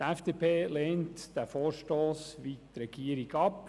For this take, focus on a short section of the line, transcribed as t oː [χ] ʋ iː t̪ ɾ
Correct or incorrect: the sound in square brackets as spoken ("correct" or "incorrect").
incorrect